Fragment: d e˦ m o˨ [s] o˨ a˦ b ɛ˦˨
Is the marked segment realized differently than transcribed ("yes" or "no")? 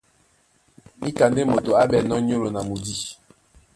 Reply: yes